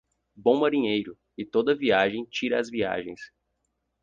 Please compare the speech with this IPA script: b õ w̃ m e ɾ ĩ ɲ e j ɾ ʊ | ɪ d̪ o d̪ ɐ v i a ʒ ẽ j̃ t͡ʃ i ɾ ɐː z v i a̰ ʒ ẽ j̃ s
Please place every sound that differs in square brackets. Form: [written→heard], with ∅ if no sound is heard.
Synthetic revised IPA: b õ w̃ m [e→a] ɾ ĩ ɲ e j ɾ ʊ | ɪ [d̪→t̪] o d̪ ɐ v i a ʒ ẽ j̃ t͡ʃ i ɾ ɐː z v i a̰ ʒ ẽ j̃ s